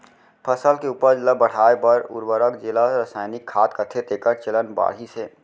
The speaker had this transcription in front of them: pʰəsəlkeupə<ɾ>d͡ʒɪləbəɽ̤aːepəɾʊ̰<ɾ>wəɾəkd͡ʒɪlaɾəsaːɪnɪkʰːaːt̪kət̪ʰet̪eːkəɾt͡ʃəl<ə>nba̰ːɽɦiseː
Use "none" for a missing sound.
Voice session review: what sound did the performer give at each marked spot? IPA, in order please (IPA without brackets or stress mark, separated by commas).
ɾ, ɾ, ə